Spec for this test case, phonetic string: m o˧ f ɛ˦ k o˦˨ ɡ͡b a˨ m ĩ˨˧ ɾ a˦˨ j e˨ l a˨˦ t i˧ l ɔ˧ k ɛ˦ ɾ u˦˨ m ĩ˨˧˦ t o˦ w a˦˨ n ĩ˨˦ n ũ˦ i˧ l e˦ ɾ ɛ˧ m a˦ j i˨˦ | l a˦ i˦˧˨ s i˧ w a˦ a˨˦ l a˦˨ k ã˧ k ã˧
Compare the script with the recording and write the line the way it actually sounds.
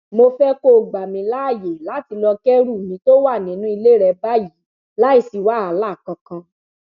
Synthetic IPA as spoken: m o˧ f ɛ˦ k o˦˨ ɡ͡b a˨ m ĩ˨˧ l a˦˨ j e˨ l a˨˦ t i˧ l ɔ˧ k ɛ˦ ɾ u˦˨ m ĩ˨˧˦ t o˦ w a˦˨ n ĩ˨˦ n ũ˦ i˧ l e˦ ɾ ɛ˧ b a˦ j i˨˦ | l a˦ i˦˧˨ s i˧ w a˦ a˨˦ l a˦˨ k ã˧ k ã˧